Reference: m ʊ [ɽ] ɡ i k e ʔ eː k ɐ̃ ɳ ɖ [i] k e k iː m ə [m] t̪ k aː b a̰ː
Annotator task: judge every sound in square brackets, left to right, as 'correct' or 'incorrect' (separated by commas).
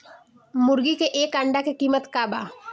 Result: incorrect, incorrect, incorrect